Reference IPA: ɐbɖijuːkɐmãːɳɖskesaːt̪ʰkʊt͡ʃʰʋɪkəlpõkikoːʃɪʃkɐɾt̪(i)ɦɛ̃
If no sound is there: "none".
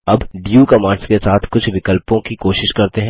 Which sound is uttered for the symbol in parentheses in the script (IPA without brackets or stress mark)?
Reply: e